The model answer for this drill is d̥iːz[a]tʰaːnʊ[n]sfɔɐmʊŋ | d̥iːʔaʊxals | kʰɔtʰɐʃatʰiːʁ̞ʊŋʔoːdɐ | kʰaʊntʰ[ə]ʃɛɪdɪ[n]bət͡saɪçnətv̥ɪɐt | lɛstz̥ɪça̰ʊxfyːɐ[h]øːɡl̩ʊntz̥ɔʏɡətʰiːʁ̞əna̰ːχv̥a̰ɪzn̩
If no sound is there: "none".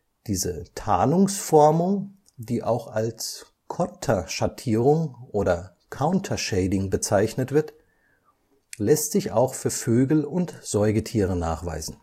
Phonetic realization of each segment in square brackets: ə, ŋ, ɐ, ŋ, f

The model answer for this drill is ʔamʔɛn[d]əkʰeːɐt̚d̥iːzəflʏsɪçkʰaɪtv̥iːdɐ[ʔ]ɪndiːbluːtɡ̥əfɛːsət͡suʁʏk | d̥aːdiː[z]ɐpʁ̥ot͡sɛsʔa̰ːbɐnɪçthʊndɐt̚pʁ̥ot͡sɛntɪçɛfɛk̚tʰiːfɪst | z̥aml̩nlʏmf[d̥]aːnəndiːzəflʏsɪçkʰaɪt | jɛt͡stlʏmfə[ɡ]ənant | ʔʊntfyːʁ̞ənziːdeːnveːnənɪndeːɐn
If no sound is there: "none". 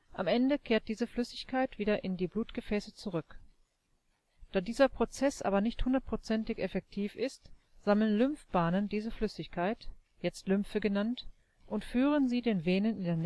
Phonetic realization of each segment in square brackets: d, ʔ, z, b̥, ɡ

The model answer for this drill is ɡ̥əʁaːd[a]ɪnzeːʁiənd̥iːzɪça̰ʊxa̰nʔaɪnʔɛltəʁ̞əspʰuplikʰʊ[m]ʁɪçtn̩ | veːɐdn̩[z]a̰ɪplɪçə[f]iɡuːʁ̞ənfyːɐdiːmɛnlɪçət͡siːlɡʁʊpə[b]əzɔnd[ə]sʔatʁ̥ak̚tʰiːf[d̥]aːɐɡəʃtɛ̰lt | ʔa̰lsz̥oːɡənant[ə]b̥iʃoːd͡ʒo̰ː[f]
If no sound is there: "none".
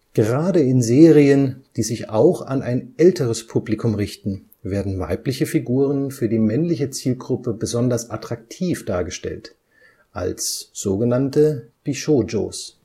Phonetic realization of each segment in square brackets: ə, m, v, f, b, ɐ, d̥, ə, s

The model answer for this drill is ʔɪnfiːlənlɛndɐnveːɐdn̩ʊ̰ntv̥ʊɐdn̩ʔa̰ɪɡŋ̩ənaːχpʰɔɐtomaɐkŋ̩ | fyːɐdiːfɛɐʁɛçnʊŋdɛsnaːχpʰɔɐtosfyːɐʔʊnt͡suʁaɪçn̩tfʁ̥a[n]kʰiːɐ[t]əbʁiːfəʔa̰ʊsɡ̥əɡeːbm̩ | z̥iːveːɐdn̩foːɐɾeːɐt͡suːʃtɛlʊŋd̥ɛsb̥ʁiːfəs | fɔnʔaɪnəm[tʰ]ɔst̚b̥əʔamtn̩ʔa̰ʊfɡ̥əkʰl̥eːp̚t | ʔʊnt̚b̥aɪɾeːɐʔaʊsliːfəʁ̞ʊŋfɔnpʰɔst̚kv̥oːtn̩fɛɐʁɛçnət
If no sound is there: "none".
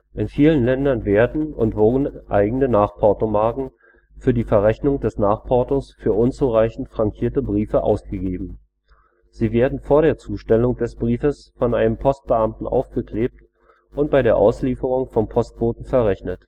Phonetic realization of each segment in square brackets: ŋ, t, pʰ

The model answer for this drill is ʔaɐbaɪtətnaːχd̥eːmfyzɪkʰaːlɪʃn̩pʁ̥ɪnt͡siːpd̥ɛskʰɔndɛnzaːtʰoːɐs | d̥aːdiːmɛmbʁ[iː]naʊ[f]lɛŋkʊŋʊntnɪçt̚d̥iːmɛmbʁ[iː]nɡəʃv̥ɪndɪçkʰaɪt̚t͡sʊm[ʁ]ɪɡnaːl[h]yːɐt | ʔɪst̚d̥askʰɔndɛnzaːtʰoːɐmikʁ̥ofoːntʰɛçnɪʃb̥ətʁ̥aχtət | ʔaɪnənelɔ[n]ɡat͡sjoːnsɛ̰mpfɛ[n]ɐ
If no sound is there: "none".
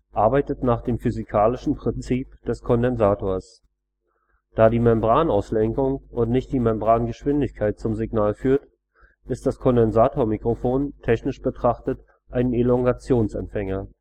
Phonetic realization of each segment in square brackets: aː, s, aː, z, f, ŋ, ŋ

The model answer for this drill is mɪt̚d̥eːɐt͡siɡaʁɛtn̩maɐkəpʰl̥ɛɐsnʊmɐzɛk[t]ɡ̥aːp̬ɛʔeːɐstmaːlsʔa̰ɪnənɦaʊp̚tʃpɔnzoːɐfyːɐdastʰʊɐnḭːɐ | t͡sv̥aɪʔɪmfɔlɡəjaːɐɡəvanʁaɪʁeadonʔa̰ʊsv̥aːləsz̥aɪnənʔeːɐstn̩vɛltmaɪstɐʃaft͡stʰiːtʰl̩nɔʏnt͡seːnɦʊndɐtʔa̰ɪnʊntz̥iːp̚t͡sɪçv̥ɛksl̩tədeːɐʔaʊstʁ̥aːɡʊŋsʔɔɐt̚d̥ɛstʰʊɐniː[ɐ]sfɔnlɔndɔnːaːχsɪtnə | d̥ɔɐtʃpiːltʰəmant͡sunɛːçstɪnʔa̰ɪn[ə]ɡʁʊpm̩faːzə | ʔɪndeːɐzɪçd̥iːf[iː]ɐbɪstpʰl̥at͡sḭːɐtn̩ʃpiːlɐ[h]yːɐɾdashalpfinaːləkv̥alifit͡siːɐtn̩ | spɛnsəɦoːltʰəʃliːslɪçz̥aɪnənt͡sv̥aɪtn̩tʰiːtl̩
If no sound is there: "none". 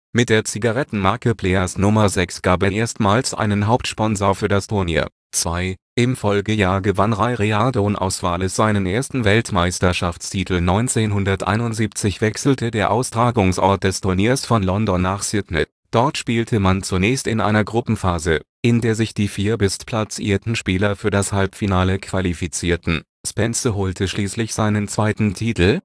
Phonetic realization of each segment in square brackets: s, ɐ, ɐ, iː, f

